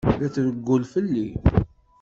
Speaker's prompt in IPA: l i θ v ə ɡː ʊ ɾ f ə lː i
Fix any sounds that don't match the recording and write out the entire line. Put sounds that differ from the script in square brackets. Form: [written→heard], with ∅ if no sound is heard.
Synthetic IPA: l [i→æ] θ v ə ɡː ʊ [ɾ→l] f ə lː i

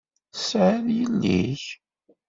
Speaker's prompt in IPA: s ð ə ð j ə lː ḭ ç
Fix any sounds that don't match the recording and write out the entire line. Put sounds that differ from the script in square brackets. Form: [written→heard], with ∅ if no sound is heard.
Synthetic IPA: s [ð→ʕ] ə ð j ə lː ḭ ç

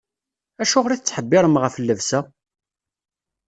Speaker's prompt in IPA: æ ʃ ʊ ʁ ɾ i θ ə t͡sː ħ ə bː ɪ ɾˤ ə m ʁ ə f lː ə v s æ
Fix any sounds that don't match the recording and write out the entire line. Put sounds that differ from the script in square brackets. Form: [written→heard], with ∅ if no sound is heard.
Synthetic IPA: æ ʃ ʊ ʁ ɾ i θ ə t͡sː ħ ə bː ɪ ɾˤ ə m ʁ ə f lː ə v s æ

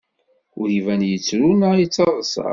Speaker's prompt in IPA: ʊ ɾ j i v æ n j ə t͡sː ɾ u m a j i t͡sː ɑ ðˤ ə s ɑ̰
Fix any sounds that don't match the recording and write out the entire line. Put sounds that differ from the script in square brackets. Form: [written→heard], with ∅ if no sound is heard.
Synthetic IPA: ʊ ɾ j i v æ n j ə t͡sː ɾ u [m→n] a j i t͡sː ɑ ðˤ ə s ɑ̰

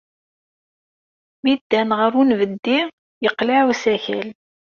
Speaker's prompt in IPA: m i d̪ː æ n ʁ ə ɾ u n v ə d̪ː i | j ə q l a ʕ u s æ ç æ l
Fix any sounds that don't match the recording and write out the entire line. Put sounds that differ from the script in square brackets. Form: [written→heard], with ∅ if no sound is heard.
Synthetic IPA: m i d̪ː æ n ʁ ə ɾ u n v ə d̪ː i | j ə q l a ʕ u s æ ç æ l

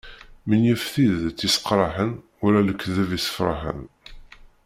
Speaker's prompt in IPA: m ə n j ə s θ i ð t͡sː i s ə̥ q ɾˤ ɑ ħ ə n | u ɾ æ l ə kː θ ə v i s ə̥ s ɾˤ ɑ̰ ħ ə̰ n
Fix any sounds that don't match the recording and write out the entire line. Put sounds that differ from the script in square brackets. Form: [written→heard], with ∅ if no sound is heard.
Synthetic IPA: m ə n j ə [s→f] θ i ð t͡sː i s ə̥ q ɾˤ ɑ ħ ə n | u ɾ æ l ə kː [θ→ð] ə v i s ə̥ [s→f] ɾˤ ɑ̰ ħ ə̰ n

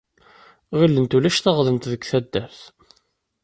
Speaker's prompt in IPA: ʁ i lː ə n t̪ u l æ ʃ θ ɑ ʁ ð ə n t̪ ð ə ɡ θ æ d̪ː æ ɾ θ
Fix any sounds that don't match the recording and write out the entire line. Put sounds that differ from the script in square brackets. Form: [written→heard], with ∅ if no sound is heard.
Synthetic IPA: ʁ i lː ə n t̪ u l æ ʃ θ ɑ ʁ ð ə n t̪ ð ə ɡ θ æ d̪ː æ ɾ θ

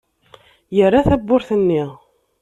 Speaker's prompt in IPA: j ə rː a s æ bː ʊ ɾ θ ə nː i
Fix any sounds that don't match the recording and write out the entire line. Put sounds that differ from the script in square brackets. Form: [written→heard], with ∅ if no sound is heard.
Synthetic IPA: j ə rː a [s→θ] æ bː ʊ ɾ θ ə nː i

